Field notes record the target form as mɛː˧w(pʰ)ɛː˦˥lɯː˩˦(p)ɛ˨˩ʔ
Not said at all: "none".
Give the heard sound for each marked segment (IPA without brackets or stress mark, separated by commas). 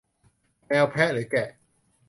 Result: pʰ, k